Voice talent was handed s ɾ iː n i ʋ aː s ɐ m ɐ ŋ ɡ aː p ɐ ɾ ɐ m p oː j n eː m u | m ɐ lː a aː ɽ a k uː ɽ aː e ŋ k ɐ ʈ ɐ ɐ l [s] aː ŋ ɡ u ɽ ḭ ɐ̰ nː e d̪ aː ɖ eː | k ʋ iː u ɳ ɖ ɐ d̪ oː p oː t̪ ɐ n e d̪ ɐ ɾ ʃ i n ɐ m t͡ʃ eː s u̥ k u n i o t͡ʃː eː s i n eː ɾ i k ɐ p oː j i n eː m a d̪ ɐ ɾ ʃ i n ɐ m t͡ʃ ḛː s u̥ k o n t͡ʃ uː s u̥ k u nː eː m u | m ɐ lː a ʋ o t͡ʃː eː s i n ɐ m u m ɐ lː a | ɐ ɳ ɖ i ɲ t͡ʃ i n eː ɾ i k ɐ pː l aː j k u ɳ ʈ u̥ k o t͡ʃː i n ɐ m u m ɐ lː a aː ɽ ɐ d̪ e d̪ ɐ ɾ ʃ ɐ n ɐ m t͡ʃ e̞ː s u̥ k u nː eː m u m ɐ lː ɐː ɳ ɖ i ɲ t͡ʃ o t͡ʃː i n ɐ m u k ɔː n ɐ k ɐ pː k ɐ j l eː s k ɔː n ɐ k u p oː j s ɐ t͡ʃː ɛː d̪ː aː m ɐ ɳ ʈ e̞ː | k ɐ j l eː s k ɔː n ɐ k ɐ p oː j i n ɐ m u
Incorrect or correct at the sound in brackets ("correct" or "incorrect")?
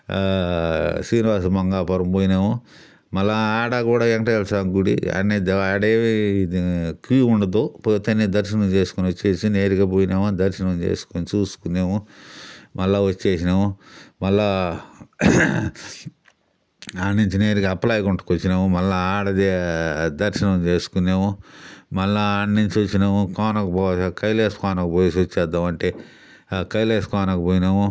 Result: correct